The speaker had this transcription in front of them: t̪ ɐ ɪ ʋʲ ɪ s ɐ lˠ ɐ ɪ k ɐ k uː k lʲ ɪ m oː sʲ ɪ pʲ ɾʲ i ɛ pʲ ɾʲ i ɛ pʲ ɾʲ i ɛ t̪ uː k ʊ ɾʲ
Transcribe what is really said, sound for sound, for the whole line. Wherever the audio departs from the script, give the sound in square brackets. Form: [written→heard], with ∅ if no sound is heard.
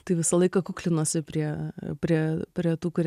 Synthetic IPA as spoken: t̪ ɐ ɪ ʋʲ ɪ s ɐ lˠ ɐ ɪ k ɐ k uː k lʲ ɪ [m→n] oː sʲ ɪ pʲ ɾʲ i ɛ pʲ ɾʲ i ɛ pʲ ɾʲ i ɛ t̪ uː k ʊ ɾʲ

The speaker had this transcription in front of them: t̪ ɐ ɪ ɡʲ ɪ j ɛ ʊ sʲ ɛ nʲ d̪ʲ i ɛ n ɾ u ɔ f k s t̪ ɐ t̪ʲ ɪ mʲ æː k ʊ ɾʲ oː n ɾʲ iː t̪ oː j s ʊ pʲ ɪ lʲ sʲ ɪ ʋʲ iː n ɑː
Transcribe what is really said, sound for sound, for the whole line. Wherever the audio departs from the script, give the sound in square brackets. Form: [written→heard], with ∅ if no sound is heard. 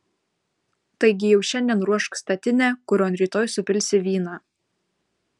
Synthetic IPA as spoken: t̪ ɐ ɪ ɡʲ ɪ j ɛ ʊ [sʲ→ʃʲ] ɛ nʲ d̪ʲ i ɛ n ɾ u ɔ [f→ʃ] k s t̪ ɐ t̪ʲ ɪ [mʲ→nʲ] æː k ʊ ɾʲ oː n ɾʲ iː t̪ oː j s ʊ pʲ ɪ lʲ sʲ ɪ ʋʲ iː n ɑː

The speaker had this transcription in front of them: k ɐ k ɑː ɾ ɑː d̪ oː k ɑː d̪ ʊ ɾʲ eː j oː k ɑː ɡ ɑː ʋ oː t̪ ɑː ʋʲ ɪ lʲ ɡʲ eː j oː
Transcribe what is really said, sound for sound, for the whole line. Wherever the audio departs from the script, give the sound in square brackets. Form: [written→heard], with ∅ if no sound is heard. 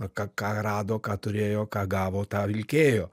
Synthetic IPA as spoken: k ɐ k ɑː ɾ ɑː d̪ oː k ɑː [d̪→t̪] ʊ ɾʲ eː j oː k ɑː ɡ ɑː ʋ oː t̪ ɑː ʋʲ ɪ lʲ [ɡʲ→kʲ] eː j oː

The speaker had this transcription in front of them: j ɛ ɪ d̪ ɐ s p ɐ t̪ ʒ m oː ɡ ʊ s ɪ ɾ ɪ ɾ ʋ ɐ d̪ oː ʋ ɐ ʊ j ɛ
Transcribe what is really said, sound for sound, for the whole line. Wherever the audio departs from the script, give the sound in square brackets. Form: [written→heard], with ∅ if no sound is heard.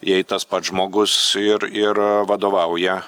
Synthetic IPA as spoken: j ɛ ɪ [d̪→t̪] ɐ s p ɐ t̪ ʒ m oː ɡ ʊ s ɪ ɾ ɪ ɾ ʋ ɐ d̪ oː ʋ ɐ ʊ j ɛ

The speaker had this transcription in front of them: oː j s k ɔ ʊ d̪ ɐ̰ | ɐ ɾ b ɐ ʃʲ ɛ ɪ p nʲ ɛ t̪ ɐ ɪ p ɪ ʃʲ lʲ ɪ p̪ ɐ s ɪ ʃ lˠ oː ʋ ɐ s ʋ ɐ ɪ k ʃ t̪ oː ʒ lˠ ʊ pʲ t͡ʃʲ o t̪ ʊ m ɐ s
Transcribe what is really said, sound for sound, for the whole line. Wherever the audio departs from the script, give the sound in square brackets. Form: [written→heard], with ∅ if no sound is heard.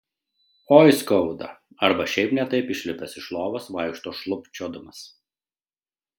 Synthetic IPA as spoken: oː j s k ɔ ʊ d̪ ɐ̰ | ɐ ɾ b ɐ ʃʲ ɛ ɪ p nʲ ɛ t̪ ɐ ɪ p ɪ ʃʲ lʲ ɪ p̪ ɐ s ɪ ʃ lˠ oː ʋ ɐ s ʋ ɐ ɪ k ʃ t̪ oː [ʒ→ʃ] lˠ ʊ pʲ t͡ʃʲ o [t̪→d̪] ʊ m ɐ s

